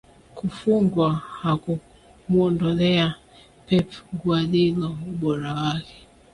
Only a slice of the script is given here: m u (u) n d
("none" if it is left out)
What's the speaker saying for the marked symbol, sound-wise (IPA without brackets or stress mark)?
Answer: ɔ